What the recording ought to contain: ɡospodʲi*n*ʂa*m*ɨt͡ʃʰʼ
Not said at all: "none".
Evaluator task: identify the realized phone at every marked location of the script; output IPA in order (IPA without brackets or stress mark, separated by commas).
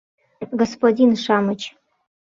n, m